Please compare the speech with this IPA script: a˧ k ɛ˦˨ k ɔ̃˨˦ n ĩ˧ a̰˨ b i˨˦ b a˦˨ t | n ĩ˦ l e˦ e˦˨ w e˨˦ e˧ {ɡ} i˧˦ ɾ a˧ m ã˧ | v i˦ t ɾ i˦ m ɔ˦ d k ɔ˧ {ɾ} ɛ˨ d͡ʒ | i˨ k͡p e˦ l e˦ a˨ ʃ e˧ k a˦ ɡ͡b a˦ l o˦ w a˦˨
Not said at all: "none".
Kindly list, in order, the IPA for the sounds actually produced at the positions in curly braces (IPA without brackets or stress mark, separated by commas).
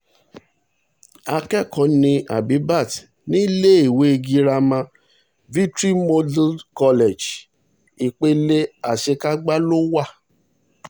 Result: ɡ, l